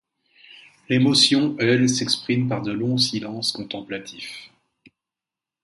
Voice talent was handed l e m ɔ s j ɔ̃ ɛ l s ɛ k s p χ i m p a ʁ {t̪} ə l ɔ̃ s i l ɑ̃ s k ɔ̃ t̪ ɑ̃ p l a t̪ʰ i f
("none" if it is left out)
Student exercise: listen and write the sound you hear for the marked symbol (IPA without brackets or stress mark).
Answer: d̪